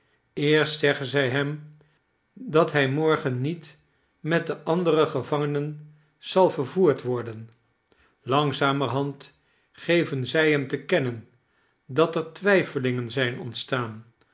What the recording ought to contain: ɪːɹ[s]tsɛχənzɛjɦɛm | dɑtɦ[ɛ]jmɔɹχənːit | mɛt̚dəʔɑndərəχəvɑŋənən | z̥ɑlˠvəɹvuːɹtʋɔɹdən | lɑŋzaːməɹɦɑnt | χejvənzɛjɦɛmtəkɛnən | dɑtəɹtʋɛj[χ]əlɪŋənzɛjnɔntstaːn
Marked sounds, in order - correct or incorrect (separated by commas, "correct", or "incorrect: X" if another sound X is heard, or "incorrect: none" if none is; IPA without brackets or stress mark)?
correct, correct, incorrect: f